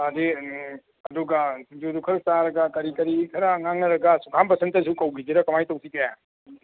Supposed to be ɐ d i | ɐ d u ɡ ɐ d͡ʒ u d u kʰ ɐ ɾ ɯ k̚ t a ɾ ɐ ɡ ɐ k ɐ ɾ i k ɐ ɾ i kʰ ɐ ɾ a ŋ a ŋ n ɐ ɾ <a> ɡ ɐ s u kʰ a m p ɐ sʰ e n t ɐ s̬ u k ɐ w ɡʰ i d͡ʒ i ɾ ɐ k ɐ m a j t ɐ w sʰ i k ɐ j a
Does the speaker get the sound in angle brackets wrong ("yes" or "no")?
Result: yes